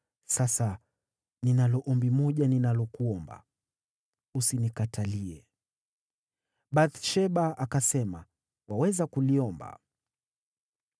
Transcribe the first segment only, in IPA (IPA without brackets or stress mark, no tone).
s